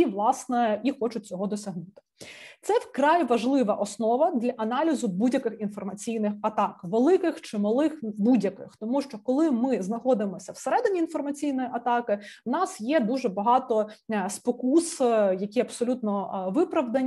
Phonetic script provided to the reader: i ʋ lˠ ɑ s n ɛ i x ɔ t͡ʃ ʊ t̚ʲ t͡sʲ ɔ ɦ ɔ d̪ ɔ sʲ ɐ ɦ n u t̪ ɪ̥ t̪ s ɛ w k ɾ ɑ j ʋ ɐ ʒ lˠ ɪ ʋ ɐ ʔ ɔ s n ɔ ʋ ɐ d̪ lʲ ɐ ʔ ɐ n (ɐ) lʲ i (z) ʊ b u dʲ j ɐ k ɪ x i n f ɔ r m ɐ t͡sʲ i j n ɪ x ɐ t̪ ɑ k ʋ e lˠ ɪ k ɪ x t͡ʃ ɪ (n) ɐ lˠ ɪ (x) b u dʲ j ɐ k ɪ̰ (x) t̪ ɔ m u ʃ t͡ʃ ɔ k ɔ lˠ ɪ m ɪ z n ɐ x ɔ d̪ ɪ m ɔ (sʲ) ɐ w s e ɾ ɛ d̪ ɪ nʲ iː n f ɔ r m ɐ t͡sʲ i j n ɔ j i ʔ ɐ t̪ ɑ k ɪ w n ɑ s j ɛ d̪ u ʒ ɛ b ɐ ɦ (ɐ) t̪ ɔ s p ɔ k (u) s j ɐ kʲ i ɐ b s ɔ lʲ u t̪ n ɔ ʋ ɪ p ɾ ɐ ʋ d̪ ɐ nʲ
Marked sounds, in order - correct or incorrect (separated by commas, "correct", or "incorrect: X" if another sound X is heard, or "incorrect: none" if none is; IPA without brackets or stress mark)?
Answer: incorrect: ɑ, correct, incorrect: m, correct, correct, correct, incorrect: ɑ, correct